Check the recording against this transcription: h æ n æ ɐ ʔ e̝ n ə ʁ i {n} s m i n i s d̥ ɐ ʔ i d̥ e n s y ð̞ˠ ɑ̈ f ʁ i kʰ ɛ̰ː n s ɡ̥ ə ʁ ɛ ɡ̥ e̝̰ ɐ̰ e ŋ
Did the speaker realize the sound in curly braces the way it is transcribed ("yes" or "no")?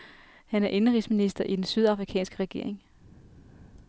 no